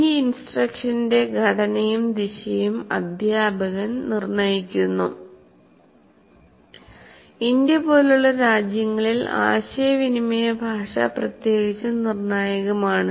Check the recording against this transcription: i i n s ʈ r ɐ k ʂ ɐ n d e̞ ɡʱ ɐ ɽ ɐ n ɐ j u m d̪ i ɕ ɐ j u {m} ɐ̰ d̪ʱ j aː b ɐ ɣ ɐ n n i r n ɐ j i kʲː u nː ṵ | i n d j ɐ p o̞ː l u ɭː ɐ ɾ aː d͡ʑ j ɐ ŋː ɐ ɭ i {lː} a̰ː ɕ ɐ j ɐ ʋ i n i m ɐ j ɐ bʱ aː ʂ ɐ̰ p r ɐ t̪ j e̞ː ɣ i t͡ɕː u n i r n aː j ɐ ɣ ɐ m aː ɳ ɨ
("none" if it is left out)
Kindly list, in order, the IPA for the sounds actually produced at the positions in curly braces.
m, l

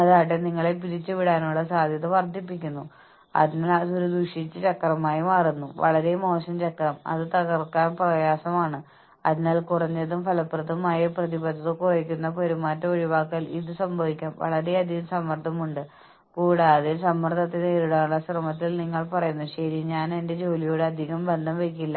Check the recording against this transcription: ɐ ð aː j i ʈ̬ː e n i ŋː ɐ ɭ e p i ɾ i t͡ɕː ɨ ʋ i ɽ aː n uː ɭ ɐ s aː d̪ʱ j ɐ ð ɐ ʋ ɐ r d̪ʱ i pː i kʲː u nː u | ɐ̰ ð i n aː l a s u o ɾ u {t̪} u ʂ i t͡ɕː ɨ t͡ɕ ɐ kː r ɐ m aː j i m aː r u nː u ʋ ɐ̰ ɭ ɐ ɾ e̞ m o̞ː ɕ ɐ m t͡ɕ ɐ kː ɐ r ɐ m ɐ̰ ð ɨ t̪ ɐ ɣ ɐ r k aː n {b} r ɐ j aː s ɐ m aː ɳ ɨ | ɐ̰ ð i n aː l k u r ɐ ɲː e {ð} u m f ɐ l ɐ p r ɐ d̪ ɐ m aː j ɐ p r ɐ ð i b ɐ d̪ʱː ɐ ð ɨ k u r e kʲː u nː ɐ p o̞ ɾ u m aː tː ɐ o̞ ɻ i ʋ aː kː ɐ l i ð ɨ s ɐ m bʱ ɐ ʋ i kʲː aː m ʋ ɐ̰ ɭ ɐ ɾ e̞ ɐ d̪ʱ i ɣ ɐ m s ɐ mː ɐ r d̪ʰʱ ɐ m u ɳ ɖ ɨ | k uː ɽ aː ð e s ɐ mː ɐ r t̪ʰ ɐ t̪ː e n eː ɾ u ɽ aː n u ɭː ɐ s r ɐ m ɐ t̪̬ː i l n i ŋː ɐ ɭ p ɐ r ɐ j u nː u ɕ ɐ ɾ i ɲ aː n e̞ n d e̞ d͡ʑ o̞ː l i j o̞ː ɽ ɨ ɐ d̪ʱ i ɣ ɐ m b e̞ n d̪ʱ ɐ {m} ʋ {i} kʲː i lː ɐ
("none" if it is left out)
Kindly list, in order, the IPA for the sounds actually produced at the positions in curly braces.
d̪, p, ð, m, e

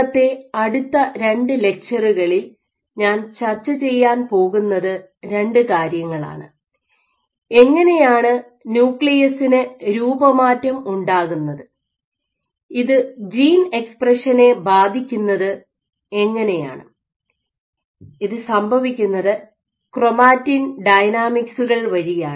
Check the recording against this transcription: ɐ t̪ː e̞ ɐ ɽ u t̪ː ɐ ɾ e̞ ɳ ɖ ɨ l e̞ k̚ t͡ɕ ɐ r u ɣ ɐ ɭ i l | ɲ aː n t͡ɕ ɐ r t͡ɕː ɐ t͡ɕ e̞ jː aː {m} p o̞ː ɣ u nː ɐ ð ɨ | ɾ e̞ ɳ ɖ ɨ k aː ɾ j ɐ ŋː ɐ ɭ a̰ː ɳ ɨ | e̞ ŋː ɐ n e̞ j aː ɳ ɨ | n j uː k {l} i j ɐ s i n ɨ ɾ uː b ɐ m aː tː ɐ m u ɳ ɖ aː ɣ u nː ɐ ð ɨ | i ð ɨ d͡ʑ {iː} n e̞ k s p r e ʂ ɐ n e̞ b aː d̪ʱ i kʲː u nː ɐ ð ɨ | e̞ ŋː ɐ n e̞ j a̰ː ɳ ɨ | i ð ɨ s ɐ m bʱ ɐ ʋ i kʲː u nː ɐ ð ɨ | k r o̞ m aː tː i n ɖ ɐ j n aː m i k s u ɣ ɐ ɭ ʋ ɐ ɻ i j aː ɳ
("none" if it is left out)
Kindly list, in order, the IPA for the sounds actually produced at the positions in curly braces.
n, ɭ, iː

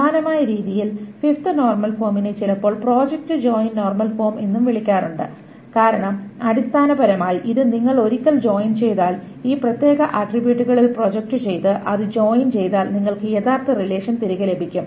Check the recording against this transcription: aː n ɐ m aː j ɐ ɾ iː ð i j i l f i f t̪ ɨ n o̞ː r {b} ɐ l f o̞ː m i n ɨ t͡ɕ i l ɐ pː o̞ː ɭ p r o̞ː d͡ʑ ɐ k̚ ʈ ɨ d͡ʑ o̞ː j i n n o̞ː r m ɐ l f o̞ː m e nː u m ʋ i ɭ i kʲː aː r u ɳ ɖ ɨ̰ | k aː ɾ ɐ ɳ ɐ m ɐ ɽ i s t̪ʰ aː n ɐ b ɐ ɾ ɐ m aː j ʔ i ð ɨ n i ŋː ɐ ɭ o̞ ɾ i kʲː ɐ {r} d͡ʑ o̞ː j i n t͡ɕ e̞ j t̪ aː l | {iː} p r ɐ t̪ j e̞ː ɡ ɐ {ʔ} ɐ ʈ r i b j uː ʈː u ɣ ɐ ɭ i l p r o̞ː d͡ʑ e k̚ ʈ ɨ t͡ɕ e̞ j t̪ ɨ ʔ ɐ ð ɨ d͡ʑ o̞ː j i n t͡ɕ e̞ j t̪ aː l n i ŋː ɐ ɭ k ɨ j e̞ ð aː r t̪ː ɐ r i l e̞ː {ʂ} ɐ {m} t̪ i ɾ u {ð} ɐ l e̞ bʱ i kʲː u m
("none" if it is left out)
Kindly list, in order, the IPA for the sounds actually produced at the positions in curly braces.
m, l, iː, ʔ, ʂ, n, ɣ

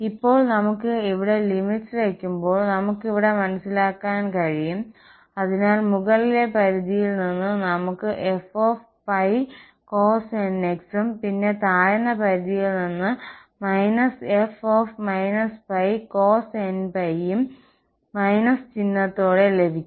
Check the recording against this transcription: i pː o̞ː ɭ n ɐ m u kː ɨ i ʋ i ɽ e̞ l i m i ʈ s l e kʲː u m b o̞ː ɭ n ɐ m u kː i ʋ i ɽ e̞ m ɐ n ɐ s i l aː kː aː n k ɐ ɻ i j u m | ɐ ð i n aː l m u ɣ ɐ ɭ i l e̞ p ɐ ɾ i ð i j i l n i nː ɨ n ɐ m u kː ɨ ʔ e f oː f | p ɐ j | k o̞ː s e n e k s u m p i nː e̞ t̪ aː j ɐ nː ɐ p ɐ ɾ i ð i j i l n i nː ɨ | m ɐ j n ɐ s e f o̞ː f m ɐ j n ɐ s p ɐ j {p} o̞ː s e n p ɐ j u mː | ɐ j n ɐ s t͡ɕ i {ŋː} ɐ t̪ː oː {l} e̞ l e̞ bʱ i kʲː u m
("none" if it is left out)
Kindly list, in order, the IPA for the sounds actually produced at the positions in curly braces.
k, nː, ɽ

